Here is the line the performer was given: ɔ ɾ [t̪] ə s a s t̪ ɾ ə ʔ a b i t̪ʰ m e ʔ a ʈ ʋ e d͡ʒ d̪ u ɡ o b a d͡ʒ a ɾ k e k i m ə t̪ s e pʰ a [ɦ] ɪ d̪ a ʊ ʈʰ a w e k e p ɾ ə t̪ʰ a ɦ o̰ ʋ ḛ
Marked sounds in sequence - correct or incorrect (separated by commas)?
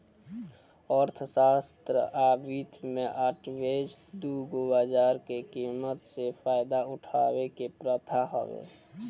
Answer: incorrect, incorrect